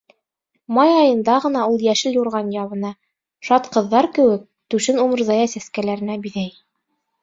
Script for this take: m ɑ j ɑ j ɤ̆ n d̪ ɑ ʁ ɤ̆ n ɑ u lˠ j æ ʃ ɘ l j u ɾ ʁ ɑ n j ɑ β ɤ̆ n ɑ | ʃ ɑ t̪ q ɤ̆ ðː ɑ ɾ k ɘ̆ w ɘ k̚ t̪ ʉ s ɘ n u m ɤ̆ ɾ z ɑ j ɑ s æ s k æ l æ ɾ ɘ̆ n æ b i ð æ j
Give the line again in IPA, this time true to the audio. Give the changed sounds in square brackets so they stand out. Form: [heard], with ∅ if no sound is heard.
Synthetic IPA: m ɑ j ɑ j ɤ̆ n d̪ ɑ ʁ ɤ̆ n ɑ u lˠ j æ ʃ ɘ l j u ɾ ʁ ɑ n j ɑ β ɤ̆ n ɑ | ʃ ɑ t̪ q ɤ̆ ðː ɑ ɾ k ɘ̆ w ɘ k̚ t̪ ʉ [ʃ] ɘ n u m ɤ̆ ɾ z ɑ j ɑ s æ s k æ l æ ɾ ɘ̆ n æ b i ð æ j